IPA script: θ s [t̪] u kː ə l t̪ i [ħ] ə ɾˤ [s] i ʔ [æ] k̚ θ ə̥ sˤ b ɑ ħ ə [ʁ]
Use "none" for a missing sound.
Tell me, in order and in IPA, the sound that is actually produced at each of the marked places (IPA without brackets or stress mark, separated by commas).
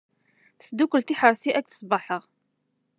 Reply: d̪, ħ, s, æ, ʁ